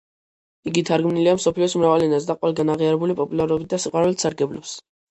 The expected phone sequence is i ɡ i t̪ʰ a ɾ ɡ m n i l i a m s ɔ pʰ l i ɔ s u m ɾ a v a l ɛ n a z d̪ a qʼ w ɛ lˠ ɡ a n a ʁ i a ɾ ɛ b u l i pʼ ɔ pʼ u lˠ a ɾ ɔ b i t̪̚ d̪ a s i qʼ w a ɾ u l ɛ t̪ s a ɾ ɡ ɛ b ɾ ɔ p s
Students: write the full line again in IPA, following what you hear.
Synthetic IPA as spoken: i ɡ i t̪ʰ a ɾ ɡ m n i l i a m s ɔ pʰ l i ɔ s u m ɾ a v a l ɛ n a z d̪ a qʼ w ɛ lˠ ɡ a n a ʁ i a ɾ ɛ b u l i pʼ ɔ pʼ u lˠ a ɾ ɔ b i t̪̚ d̪ a s i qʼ w a ɾ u l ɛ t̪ s a ɾ ɡ ɛ b l ɔ p s